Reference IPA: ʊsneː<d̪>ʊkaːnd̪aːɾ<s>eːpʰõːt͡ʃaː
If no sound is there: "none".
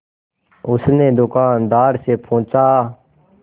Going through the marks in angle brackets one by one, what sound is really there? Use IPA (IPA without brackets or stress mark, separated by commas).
d̪, s